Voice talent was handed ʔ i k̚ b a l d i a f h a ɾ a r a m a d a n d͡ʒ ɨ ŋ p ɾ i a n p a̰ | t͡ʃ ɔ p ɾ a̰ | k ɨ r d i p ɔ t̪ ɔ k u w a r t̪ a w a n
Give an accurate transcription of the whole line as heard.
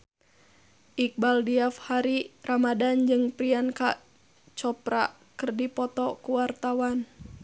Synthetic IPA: ʔ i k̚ b a l d i a f h a ɾ i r a m a d a n d͡ʒ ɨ ŋ p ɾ i a n k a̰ | t͡ʃ ɔ p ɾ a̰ | k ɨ r d i p ɔ t̪ ɔ k u w a r t̪ a w a n